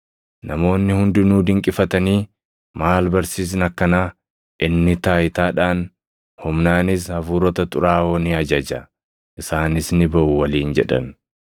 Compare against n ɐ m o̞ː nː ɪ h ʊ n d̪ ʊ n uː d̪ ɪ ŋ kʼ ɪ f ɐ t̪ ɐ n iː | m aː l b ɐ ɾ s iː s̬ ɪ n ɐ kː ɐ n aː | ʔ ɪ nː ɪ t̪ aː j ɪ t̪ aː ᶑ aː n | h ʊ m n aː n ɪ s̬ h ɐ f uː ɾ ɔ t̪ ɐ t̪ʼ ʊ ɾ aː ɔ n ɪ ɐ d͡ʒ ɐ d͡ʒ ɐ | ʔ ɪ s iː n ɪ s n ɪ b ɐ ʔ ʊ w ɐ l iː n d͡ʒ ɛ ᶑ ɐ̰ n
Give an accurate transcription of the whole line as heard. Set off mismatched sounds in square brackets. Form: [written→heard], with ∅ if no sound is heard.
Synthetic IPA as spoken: n ɐ m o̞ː nː ɪ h ʊ n d̪ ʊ n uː d̪ ɪ ŋ kʼ ɪ f ɐ t̪ ɐ n iː | m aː l b ɐ ɾ s iː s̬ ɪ n ɐ kː ɐ n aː | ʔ ɪ nː ɪ t̪ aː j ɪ t̪ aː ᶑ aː n | h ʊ m n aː n ɪ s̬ h ɐ f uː ɾ ɔ t̪ ɐ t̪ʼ ʊ ɾ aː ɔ n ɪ ɐ d͡ʒ ɐ d͡ʒ ɐ | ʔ ɪ s [iː→aː] n ɪ s n ɪ b ɐ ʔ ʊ w ɐ l iː n d͡ʒ ɛ ᶑ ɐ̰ n

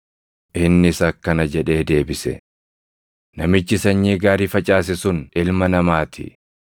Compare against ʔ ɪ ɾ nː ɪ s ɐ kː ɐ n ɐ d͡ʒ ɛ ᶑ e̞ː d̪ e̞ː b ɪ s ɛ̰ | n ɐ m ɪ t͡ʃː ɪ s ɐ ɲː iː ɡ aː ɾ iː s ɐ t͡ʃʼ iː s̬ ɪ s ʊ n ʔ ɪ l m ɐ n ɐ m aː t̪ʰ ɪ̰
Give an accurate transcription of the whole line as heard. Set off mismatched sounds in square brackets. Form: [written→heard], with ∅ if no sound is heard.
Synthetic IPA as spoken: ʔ ɪ [ɾ→∅] nː ɪ s ɐ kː ɐ n ɐ d͡ʒ ɛ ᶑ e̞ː d̪ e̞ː b ɪ s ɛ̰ | n ɐ m ɪ t͡ʃː ɪ s ɐ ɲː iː ɡ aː ɾ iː [s→f] ɐ t͡ʃʼ [iː→aː] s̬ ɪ s ʊ n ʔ ɪ l m ɐ n ɐ m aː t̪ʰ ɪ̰

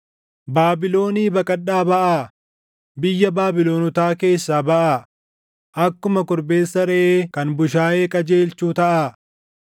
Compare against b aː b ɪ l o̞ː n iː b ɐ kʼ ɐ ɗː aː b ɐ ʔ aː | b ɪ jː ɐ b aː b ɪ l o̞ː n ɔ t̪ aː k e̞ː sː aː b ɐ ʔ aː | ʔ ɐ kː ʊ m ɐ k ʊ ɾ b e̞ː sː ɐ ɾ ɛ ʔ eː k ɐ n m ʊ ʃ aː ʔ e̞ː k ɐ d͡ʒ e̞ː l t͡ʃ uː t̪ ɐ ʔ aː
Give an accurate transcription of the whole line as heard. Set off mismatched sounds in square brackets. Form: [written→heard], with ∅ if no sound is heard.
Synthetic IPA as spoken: b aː b ɪ l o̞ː n iː b ɐ kʼ ɐ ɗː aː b ɐ ʔ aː | b ɪ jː ɐ b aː b ɪ l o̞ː n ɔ t̪ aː k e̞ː sː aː b ɐ ʔ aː | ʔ ɐ kː ʊ m ɐ k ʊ ɾ b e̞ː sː ɐ ɾ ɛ ʔ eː k ɐ n [m→b] ʊ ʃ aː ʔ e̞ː [k→kʼ] ɐ d͡ʒ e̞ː l t͡ʃ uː t̪ ɐ ʔ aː

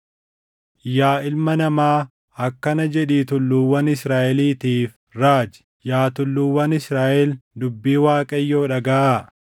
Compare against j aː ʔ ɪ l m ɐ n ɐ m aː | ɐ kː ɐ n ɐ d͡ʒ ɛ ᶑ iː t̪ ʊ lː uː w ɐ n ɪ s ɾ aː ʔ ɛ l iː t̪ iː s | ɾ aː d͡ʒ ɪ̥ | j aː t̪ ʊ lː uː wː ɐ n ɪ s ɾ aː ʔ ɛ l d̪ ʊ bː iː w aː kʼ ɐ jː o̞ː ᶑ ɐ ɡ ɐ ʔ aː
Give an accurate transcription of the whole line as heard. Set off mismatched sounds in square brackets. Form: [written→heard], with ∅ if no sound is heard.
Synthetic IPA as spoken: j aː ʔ ɪ l m ɐ n ɐ m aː | ɐ kː ɐ n ɐ d͡ʒ ɛ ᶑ iː t̪ ʊ lː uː w ɐ n ɪ s ɾ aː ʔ ɛ l iː t̪ iː [s→f] | ɾ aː d͡ʒ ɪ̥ | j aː t̪ ʊ lː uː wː ɐ n ɪ s ɾ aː ʔ ɛ l d̪ ʊ bː iː w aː kʼ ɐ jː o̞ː ᶑ ɐ ɡ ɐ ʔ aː

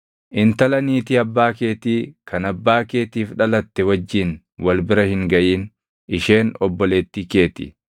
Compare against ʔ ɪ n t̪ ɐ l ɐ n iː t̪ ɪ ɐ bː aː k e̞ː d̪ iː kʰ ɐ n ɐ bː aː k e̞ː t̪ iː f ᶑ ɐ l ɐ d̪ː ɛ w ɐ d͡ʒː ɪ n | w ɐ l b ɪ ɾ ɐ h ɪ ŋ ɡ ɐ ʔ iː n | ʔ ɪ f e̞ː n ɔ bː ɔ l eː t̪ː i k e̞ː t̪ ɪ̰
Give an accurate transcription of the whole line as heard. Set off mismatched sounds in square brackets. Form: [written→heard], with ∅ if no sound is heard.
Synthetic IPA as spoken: ʔ ɪ n t̪ ɐ l ɐ n iː t̪ ɪ ɐ bː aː k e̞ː [d̪→t̪] iː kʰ ɐ n ɐ bː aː k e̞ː t̪ iː f ᶑ ɐ l ɐ [d̪ː→t̪ː] ɛ w ɐ d͡ʒː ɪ n | w ɐ l b ɪ ɾ ɐ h ɪ ŋ ɡ ɐ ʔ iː n | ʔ ɪ [f→ʃ] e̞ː n ɔ bː ɔ l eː t̪ː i k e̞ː t̪ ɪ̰

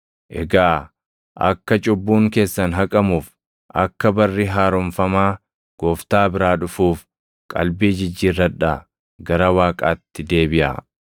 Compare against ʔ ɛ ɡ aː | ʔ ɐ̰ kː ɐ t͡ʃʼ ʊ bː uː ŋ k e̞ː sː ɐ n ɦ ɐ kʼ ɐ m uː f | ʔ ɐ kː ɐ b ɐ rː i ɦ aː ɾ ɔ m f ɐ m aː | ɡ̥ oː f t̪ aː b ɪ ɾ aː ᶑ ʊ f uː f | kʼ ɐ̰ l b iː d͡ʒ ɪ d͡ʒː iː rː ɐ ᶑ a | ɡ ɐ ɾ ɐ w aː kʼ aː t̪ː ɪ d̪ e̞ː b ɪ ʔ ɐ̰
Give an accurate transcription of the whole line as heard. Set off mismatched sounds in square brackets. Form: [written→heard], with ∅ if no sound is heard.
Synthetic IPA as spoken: ʔ ɛ ɡ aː | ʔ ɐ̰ kː ɐ t͡ʃʼ ʊ bː uː ŋ k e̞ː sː ɐ n ɦ ɐ kʼ ɐ m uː f | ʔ ɐ kː ɐ b ɐ rː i ɦ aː ɾ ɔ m f ɐ m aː | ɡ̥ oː f t̪ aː b ɪ ɾ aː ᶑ ʊ f uː f | kʼ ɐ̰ l b iː d͡ʒ ɪ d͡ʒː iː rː ɐ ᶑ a | ɡ ɐ ɾ ɐ w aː kʼ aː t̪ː ɪ d̪ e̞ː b ɪ ʔ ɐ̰

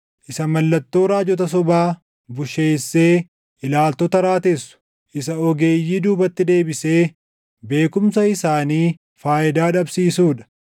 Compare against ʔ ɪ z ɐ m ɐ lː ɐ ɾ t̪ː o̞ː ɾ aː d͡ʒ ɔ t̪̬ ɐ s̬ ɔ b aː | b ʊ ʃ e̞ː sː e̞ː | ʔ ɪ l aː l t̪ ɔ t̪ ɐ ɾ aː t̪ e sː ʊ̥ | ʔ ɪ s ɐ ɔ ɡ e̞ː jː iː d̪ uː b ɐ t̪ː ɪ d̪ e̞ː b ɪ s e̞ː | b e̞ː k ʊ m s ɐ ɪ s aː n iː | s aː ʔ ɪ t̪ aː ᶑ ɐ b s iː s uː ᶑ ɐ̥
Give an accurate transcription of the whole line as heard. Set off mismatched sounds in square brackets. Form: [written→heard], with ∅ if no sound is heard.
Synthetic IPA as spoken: ʔ ɪ [z→s] ɐ m ɐ lː ɐ [ɾ→∅] t̪ː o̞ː ɾ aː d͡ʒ ɔ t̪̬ ɐ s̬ ɔ b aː | b ʊ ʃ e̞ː sː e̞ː | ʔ ɪ l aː l t̪ ɔ t̪ ɐ ɾ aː t̪ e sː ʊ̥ | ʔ ɪ s ɐ ɔ ɡ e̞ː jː iː d̪ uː b ɐ t̪ː ɪ d̪ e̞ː b ɪ s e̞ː | b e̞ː k ʊ m s ɐ ɪ s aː n iː | [s→f] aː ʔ ɪ [t̪→d̪] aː ᶑ ɐ b s iː s uː ᶑ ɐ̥

